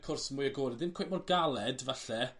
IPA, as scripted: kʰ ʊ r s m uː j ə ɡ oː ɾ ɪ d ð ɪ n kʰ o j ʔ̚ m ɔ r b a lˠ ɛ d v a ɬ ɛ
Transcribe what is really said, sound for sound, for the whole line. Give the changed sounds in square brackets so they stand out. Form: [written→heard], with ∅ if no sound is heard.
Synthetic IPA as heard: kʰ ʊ r s m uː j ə ɡ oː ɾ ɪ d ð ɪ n kʰ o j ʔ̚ m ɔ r [b→ɡ] a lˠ ɛ d v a ɬ ɛ